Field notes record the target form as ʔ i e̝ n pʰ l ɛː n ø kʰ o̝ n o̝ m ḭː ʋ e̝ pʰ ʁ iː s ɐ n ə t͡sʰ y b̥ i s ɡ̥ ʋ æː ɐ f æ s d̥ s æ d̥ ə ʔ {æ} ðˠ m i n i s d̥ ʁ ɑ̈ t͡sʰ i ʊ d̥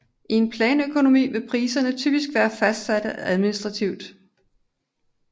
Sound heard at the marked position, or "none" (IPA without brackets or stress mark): æ